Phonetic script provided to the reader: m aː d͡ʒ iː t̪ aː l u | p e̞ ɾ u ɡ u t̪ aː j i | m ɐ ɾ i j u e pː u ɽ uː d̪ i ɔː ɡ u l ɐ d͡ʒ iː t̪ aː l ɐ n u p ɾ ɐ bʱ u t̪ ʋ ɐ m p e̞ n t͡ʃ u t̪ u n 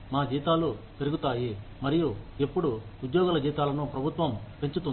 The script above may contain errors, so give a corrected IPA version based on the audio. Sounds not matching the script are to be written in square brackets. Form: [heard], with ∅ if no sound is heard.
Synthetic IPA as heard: m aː d͡ʒ iː t̪ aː l u | p e̞ ɾ u ɡ u t̪ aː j i | m ɐ ɾ i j u e pː u ɽ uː d̪ [j] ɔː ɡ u l ɐ d͡ʒ iː t̪ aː l ɐ n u p ɾ ɐ bʱ u t̪ ʋ ɐ m p e̞ [ɲ] t͡ʃ u t̪ u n